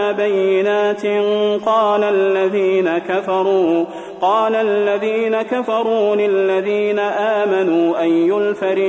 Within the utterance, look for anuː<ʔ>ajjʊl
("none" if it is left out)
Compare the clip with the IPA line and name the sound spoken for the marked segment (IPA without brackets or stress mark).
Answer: ʔ